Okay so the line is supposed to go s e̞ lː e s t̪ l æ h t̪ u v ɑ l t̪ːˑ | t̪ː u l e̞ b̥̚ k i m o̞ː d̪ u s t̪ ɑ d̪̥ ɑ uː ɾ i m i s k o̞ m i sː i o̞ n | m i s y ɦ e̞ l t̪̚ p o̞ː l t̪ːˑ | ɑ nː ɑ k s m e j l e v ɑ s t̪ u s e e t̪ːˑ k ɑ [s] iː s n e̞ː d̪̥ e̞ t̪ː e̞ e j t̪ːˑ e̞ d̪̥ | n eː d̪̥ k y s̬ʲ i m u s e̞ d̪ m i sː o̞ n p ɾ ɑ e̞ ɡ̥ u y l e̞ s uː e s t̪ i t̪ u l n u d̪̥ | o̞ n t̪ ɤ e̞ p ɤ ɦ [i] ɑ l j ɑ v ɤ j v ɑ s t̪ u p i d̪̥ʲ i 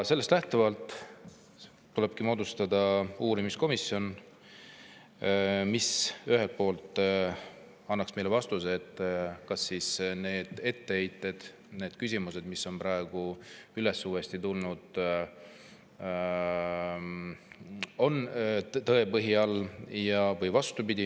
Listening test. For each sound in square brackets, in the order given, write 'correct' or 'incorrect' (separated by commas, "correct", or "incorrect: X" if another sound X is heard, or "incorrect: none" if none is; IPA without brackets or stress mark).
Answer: incorrect: sː, correct